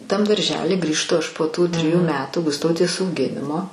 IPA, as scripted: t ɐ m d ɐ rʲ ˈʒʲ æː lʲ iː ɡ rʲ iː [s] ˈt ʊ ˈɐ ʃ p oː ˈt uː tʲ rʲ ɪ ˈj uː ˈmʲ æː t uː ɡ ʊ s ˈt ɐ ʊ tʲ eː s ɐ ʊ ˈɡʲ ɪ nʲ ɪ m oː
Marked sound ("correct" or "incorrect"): incorrect